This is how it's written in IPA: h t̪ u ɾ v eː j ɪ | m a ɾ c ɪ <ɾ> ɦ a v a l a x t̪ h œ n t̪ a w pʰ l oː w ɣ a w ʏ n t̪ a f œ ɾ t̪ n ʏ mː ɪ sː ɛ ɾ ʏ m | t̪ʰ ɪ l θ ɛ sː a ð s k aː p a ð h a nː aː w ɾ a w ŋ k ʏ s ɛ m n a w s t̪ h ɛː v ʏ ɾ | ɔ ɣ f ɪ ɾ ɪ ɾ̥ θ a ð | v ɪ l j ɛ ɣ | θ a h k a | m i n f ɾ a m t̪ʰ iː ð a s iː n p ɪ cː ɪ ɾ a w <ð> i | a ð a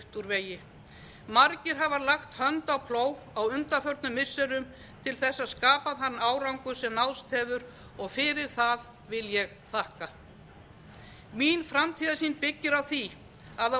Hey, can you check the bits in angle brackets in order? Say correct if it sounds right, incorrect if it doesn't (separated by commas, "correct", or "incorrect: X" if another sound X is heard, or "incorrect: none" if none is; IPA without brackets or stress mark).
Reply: correct, incorrect: θ